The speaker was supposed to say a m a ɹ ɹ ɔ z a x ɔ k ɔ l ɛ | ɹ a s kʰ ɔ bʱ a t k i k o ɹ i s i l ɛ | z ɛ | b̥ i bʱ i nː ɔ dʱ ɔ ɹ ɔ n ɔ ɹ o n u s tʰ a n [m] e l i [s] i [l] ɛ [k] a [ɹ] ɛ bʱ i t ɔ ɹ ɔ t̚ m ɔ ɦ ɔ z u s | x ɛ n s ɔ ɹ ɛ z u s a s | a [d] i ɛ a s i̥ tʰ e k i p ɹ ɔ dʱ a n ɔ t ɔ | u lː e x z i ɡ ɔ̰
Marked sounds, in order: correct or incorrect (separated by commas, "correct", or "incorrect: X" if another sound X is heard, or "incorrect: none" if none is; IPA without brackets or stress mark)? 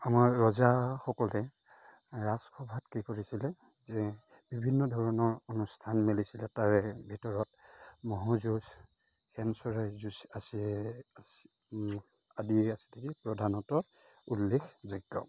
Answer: correct, correct, correct, incorrect: t, correct, correct